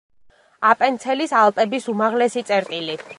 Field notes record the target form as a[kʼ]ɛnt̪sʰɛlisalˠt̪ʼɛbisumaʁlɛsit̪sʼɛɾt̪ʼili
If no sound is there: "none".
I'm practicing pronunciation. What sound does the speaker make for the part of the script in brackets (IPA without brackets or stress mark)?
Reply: pʼ